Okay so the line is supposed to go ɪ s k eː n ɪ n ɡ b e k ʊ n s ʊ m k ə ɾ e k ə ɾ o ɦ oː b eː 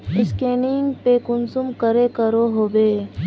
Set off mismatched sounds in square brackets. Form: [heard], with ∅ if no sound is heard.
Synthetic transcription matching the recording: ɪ s k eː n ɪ [ŋ] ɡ [p] e k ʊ n s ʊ m k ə ɾ e k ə ɾ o ɦ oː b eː